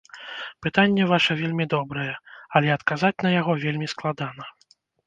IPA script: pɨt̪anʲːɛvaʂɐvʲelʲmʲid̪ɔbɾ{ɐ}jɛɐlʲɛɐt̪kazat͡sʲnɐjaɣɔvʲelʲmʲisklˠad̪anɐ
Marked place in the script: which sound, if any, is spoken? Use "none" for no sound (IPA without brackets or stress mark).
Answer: ɐ